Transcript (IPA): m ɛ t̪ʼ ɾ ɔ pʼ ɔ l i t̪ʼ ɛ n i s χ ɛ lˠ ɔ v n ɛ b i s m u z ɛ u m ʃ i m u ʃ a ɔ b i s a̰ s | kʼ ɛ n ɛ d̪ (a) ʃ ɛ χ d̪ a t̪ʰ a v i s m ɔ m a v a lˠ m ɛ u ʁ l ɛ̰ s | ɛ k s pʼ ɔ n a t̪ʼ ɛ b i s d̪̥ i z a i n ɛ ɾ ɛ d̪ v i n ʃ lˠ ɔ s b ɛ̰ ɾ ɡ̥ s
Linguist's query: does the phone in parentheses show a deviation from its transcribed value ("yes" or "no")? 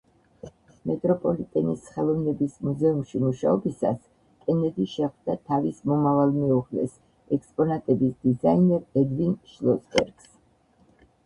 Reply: yes